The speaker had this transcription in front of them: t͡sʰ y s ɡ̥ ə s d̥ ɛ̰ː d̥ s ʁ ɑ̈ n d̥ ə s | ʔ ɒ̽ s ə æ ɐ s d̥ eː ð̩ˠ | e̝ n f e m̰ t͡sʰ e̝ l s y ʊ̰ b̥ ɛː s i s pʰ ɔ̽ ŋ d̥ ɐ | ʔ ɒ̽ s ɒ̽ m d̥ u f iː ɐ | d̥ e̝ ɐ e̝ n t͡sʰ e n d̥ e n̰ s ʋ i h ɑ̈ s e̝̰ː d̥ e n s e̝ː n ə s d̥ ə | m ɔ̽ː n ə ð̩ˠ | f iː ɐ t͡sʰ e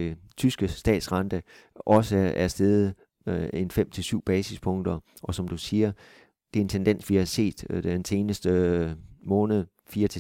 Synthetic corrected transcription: t͡sʰ y s ɡ̥ ə s d̥ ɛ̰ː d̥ s ʁ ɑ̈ n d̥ ə | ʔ ɒ̽ s ə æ ɐ s d̥ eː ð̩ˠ | e̝ n f e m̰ t͡sʰ e̝ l s y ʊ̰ b̥ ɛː s i s pʰ ɔ̽ ŋ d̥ ɐ | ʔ ɒ̽ s ɒ̽ m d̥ u s iː ɐ | d̥ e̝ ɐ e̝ n t͡sʰ e n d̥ e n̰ s ʋ i h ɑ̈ s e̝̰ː d̥ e n s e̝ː n ə s d̥ ə | m ɔ̽ː n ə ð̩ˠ | f iː ɐ t͡sʰ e